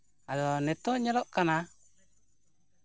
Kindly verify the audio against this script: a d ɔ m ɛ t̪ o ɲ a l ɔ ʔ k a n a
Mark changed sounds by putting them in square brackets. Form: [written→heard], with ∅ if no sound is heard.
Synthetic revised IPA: a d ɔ [m→n] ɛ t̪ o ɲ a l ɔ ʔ k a n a